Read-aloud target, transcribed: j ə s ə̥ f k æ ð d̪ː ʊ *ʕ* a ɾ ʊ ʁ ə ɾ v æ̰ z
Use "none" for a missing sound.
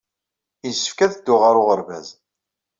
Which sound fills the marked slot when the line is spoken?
ʁ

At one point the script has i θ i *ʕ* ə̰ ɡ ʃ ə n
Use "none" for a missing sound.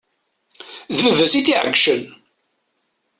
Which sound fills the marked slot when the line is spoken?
ʕ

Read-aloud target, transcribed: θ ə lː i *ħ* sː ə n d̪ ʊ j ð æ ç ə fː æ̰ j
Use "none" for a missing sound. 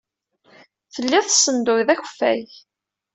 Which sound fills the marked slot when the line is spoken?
θ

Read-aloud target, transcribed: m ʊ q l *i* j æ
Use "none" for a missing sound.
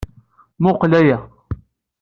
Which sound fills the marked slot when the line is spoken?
æ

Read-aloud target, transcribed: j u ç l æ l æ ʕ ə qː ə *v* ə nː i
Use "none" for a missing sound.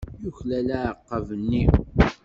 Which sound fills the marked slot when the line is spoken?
v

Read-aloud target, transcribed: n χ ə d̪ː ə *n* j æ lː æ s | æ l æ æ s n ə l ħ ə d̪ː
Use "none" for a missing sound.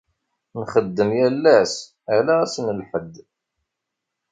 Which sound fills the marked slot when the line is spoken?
m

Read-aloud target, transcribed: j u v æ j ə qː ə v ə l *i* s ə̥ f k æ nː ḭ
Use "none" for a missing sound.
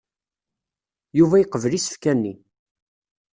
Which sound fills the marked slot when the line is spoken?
i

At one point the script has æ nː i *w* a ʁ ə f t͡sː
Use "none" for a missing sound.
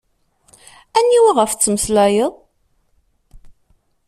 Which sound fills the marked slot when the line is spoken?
w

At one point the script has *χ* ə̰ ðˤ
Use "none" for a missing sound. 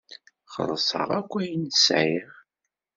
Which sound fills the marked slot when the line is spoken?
χ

